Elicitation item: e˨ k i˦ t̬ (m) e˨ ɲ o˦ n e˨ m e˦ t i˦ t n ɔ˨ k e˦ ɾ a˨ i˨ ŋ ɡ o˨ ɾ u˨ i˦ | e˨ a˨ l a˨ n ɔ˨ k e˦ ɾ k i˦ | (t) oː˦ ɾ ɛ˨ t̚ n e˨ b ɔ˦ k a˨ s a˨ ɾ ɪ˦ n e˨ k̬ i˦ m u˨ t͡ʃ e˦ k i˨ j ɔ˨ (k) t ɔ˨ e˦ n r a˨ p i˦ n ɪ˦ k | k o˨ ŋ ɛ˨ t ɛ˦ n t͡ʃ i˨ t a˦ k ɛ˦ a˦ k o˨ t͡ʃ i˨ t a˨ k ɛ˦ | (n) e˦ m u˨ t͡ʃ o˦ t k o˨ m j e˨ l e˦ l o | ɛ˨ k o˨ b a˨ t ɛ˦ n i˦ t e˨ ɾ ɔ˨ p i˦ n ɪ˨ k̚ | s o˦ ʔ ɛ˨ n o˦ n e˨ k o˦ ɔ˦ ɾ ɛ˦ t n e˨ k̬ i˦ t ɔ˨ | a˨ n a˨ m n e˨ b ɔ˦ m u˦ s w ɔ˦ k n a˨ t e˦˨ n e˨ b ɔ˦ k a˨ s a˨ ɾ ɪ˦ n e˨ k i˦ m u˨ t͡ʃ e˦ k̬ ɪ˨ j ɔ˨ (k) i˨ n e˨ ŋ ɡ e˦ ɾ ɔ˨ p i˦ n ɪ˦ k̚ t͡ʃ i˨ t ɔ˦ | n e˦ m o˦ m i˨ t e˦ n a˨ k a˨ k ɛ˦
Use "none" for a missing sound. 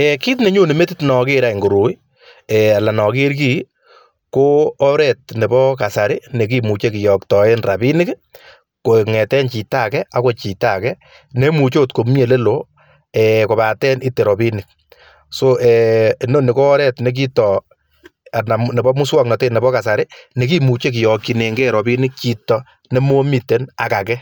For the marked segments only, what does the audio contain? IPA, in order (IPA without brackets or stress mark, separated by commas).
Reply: n, k, k, n, k